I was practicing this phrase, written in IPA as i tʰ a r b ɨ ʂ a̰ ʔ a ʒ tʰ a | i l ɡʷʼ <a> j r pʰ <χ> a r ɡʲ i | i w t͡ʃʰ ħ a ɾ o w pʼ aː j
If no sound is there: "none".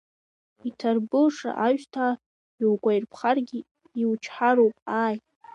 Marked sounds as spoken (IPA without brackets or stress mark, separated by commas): a, χ